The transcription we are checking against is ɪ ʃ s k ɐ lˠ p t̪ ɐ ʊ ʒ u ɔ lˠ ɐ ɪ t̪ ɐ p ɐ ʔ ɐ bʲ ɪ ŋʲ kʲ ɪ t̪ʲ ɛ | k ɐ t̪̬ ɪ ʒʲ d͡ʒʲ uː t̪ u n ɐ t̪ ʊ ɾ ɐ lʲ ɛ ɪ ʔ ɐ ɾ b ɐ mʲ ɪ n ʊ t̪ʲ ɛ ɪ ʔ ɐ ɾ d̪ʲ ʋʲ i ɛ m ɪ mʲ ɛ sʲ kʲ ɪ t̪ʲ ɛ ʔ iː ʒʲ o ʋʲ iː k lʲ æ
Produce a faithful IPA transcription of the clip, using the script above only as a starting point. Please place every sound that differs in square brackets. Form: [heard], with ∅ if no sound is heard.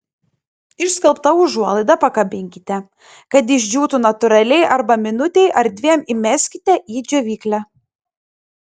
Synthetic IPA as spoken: ɪ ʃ s k ɐ lˠ p t̪ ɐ ʊ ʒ u ɔ lˠ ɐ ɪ [d̪] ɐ p ɐ [k] ɐ bʲ ɪ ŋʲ kʲ ɪ t̪ʲ ɛ | k ɐ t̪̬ ɪ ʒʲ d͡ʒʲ uː t̪ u n ɐ t̪ ʊ ɾ ɐ lʲ ɛ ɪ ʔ ɐ ɾ b ɐ mʲ ɪ n ʊ t̪ʲ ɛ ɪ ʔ ɐ ɾ d̪ʲ ʋʲ i ɛ m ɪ mʲ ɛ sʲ kʲ ɪ t̪ʲ ɛ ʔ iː [d͡ʒʲ] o ʋʲ iː k lʲ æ